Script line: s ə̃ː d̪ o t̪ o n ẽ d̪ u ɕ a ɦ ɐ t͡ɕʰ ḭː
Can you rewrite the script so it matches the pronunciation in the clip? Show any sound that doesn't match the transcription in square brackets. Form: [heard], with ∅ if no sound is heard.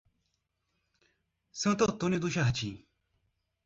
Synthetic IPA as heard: s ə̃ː [t̪] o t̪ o n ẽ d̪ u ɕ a ɦ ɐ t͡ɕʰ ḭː